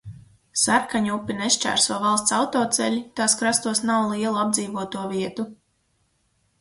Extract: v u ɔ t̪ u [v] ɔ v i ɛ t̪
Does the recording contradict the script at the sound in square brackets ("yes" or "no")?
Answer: yes